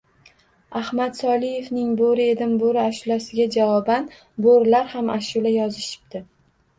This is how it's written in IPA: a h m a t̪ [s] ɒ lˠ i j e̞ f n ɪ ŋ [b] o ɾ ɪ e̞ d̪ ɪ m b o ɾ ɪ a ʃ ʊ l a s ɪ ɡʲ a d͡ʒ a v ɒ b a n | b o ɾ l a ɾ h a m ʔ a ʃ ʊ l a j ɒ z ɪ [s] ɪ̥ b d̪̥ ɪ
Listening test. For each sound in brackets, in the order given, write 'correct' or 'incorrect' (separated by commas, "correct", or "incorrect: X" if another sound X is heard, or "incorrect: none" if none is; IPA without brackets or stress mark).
correct, correct, incorrect: ʃ